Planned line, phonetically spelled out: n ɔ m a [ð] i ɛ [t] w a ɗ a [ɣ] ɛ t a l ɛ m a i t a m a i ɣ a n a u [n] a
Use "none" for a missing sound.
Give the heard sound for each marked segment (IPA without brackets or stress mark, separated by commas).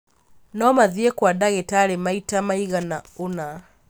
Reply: ð, k, ɣ, n